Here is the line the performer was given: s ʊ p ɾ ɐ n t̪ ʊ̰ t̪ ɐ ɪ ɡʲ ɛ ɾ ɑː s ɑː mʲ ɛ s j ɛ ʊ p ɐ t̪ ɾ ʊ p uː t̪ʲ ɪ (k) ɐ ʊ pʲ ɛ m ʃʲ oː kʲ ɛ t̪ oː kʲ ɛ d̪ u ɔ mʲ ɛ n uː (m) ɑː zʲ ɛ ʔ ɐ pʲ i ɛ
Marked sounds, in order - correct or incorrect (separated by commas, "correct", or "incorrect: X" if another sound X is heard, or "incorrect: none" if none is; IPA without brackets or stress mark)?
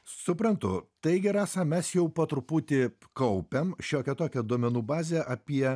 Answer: correct, incorrect: b